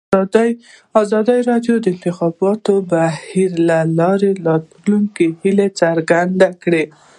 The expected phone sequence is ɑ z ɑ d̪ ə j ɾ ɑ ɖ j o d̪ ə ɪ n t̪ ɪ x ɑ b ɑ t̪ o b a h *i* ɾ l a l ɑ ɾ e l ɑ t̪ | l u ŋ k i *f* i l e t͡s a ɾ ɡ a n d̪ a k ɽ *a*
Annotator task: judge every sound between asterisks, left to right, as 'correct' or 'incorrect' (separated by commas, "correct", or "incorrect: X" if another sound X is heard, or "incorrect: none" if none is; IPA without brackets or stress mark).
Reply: correct, incorrect: h, incorrect: e